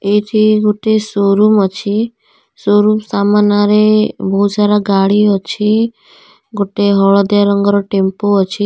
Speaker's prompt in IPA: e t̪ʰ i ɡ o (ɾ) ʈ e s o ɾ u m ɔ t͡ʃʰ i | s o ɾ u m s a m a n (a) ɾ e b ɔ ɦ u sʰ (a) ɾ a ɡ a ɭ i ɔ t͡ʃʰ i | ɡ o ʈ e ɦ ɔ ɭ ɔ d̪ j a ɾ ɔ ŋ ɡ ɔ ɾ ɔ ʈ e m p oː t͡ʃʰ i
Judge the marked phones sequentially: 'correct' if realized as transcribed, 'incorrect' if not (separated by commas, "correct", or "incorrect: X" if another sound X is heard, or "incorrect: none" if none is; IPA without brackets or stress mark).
incorrect: none, correct, correct